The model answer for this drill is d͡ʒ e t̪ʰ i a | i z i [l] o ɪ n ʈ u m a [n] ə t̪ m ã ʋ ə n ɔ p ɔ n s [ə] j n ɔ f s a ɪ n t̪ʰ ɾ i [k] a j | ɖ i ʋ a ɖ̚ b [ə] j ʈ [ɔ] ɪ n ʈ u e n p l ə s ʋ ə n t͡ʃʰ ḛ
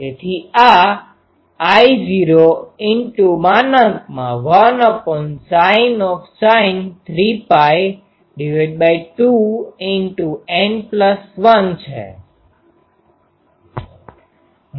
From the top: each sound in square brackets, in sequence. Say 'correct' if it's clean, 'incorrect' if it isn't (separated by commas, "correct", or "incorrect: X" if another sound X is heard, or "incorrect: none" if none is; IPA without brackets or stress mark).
incorrect: ɾ, correct, incorrect: a, incorrect: p, incorrect: a, incorrect: u